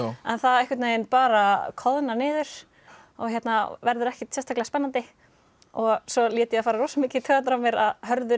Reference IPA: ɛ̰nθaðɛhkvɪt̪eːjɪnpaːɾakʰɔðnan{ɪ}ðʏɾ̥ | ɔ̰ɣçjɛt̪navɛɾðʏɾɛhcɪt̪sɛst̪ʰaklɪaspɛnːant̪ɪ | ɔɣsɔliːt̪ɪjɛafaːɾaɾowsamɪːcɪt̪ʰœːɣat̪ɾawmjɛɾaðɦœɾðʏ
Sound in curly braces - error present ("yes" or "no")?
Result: yes